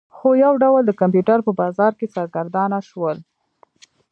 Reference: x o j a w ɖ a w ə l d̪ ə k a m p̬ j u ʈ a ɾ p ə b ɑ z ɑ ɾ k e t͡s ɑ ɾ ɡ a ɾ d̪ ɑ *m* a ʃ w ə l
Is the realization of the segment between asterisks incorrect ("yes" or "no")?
yes